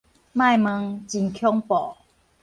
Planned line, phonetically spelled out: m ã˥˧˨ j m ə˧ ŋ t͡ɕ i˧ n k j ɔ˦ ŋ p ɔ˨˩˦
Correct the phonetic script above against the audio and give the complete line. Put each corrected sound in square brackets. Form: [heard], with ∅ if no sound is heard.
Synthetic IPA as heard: m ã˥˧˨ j m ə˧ ŋ t͡ɕ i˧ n [kʰ] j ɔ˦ ŋ p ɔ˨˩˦